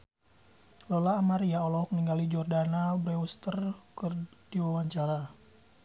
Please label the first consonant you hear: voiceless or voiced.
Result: voiced